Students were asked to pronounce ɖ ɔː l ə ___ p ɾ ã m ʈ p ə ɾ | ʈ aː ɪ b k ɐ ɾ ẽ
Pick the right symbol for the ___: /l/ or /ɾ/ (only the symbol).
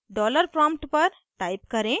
ɾ